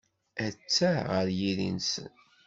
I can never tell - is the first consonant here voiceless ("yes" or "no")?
yes